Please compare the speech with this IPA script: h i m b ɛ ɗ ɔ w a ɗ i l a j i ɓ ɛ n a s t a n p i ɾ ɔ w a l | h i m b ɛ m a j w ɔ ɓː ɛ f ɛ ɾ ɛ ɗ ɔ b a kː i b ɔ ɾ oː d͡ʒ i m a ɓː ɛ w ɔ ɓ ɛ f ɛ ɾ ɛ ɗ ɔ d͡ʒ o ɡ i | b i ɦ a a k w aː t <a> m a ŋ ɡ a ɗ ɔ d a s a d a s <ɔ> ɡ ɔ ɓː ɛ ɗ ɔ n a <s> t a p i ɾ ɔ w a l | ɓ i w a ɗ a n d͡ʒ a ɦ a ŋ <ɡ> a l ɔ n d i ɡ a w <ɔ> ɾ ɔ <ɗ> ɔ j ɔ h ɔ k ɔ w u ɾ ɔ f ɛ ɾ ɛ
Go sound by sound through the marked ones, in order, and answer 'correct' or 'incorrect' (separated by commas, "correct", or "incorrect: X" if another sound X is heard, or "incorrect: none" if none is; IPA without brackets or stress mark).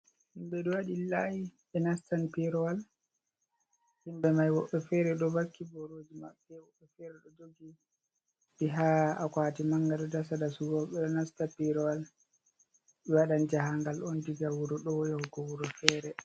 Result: incorrect: i, incorrect: u, correct, correct, incorrect: u, correct